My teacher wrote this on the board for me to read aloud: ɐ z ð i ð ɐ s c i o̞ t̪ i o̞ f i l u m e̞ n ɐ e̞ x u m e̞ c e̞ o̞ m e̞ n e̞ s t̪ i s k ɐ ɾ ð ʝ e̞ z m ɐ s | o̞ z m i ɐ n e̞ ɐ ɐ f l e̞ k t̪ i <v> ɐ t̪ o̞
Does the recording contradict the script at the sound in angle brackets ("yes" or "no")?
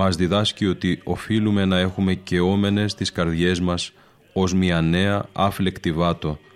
no